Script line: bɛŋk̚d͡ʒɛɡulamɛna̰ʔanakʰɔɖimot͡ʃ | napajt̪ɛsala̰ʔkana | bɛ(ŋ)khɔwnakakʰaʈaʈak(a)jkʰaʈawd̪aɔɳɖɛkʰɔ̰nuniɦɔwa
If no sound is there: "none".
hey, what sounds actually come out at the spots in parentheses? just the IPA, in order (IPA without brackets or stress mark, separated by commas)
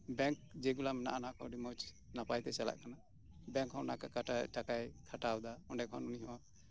ŋ, a